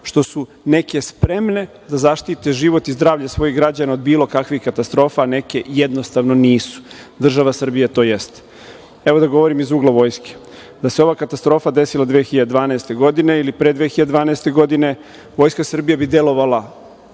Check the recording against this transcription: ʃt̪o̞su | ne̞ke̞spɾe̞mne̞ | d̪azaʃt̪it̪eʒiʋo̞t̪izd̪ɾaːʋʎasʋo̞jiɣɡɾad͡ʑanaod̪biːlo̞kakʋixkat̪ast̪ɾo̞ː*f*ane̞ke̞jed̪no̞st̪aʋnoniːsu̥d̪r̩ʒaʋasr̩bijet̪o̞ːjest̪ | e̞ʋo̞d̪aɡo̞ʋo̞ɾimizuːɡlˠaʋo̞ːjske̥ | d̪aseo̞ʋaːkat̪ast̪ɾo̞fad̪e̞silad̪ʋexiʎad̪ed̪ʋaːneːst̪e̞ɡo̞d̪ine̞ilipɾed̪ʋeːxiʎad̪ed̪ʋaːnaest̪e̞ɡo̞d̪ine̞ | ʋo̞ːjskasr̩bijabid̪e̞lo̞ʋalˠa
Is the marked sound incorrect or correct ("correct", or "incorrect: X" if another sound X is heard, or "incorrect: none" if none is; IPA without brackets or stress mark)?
correct